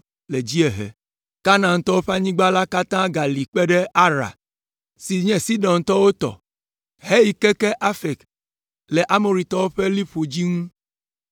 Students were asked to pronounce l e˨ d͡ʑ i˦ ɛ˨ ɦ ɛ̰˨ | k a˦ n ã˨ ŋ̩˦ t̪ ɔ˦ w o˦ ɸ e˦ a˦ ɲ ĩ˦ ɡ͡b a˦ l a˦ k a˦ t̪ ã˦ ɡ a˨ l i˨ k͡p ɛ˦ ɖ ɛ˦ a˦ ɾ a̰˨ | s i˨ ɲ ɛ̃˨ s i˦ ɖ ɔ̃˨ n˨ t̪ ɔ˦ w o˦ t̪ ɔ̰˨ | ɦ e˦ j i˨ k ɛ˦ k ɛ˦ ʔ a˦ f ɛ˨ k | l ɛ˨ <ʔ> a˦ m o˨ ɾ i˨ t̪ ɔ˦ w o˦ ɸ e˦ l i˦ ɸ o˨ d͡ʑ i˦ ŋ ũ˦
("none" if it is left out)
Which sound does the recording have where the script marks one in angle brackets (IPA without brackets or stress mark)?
ʔ